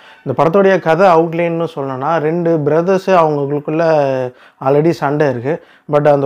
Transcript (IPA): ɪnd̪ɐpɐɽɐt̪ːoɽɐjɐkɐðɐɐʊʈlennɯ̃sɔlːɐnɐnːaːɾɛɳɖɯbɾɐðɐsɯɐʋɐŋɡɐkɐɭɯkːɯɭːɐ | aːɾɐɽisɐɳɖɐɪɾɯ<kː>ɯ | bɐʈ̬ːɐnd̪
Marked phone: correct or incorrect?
correct